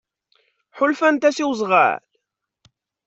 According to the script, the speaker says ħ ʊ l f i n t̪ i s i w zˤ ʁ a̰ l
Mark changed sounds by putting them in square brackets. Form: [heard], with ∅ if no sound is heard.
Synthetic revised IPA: ħ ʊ l f [æ] n t̪ [æ] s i w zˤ ʁ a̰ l